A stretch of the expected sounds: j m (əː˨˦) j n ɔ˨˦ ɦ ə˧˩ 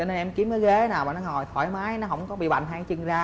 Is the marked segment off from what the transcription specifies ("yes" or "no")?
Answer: yes